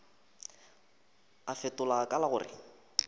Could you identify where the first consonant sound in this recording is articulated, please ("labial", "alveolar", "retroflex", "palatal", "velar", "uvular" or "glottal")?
labial